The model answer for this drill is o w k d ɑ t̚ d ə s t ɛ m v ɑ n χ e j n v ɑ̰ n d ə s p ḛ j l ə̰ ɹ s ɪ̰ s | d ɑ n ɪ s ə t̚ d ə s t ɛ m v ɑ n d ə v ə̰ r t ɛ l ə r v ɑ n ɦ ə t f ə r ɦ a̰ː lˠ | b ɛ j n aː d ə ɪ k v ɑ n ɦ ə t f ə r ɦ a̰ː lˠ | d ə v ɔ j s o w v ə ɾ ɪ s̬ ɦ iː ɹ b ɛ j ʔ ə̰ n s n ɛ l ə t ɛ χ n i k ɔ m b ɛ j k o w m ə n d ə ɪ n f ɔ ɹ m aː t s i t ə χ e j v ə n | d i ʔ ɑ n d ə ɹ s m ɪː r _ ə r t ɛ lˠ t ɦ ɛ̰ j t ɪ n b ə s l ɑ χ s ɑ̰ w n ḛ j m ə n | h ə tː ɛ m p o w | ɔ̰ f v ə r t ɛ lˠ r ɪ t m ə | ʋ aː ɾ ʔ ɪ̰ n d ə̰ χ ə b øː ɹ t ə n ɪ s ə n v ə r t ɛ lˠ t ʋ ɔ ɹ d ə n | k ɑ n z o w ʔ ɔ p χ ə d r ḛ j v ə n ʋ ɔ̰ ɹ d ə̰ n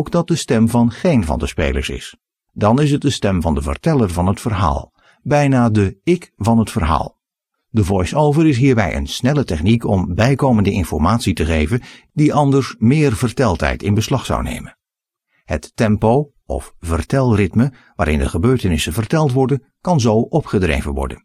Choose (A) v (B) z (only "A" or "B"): A